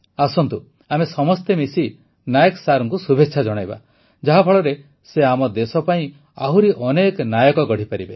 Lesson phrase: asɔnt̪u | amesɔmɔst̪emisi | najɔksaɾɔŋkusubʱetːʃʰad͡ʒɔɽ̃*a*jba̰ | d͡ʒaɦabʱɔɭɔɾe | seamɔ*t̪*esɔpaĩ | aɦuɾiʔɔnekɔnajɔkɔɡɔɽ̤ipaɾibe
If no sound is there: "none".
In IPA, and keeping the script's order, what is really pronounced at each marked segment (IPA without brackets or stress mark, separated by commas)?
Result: a, d̪